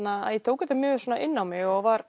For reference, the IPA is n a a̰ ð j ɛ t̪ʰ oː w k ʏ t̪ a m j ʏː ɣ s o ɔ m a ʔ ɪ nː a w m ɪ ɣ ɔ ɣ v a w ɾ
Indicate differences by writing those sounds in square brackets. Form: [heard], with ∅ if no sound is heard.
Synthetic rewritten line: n a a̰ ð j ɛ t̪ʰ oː w k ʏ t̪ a m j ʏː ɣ s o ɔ [n] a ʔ ɪ nː a w m ɪ ɣ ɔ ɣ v a [∅] ɾ